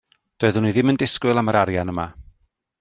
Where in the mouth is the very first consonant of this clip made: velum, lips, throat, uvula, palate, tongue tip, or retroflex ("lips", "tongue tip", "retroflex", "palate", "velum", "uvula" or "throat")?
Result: tongue tip